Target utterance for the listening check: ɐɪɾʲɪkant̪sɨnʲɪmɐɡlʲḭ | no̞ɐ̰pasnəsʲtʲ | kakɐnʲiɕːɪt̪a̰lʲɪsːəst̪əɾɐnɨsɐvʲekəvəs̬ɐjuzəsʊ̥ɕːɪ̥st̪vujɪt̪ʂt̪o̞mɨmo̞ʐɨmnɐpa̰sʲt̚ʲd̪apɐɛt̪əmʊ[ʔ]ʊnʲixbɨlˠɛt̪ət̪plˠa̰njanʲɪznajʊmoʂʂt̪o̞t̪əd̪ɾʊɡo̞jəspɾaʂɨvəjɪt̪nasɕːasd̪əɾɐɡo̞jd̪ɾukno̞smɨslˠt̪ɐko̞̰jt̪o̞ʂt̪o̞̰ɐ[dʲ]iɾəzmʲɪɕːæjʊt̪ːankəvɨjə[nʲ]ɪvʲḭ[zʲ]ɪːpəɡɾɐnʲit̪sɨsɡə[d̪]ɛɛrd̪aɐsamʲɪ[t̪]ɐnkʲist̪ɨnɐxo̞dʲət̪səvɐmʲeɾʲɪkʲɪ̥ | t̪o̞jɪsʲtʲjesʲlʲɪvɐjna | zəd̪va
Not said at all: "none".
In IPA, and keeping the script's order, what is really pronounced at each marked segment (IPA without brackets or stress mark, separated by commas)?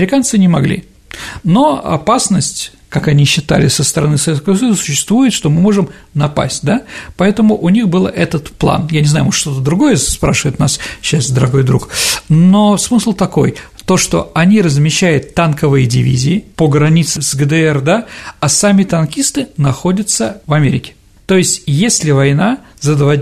ʔ, nʲ, dʲ, zʲ, d̪, t̪